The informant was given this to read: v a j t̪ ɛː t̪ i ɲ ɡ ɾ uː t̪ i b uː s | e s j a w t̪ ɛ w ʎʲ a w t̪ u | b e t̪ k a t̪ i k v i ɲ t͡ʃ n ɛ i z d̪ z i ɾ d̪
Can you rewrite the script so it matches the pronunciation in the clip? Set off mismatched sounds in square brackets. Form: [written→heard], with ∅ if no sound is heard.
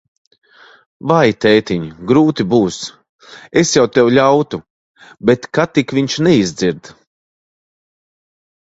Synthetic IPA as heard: v a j t̪ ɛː t̪ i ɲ ɡ ɾ uː t̪ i b uː s | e s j a w t̪ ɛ w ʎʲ a w t̪ u | b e t̪ k a t̪ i k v i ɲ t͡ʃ n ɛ i z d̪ z i ɾ d̪